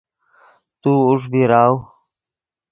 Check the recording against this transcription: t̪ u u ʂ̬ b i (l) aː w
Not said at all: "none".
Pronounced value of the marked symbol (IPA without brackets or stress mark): ɾ